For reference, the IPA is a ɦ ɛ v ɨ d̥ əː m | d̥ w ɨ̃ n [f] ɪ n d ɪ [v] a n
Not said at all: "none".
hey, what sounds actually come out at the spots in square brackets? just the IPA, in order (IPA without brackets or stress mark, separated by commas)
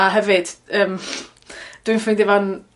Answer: f, v